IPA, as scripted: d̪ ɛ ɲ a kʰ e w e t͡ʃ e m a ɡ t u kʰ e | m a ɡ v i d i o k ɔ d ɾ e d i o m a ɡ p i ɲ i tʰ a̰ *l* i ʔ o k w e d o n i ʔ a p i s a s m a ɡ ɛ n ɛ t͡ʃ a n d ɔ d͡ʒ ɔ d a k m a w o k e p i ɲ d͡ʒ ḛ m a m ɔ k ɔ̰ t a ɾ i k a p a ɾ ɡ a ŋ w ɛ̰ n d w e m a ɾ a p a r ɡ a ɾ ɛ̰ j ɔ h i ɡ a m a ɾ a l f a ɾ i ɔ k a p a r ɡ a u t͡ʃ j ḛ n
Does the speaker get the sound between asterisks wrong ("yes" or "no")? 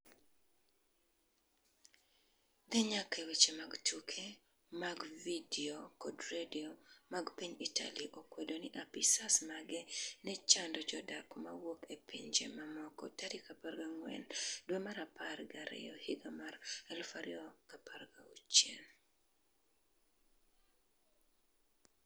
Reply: no